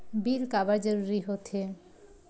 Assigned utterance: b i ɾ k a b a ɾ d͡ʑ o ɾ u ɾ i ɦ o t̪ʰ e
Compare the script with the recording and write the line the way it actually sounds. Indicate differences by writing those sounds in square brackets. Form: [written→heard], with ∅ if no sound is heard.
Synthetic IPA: b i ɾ k a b a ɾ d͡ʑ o ɾ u ɾ i ɦ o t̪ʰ e